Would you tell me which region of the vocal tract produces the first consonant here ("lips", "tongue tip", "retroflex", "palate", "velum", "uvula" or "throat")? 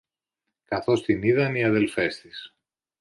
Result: velum